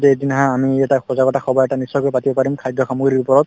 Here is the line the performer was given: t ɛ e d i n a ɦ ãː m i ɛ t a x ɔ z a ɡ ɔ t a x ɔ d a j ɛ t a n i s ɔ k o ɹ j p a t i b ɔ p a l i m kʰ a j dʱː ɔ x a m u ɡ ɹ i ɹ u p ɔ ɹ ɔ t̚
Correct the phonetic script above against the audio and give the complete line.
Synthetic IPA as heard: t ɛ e d i n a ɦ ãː m i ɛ t a x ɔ z a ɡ ɔ t a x ɔ b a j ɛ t a n i s ɔ k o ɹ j p a t i b ɔ p a ɹ i m kʰ a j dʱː ɔ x a m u ɡ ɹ i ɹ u p ɔ ɹ ɔ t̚